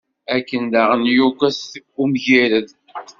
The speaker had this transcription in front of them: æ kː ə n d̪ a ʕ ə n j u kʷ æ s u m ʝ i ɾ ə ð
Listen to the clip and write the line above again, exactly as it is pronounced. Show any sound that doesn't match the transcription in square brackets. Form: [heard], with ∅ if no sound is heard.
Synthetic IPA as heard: æ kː ə n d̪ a [ʁ] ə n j u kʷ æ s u m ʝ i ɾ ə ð